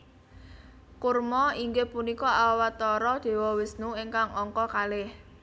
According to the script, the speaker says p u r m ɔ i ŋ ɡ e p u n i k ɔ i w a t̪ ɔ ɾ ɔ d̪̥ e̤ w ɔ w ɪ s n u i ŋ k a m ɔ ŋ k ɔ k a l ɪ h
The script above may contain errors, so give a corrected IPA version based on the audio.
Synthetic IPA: k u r m ɔ i ŋ ɡ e p u n i k ɔ a w a t̪ ɔ ɾ ɔ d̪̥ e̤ w ɔ w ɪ s n u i ŋ k a ŋ ɔ ŋ k ɔ k a l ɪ h